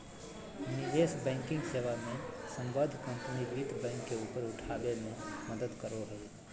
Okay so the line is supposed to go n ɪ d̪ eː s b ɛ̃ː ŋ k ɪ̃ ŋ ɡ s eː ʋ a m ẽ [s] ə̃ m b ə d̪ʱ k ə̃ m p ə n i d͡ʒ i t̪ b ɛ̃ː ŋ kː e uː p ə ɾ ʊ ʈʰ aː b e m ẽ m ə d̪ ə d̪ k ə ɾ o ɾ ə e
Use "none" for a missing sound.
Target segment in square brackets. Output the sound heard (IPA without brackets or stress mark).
s